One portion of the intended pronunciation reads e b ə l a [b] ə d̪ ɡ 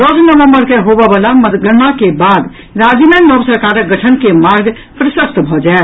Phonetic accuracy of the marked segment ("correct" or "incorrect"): incorrect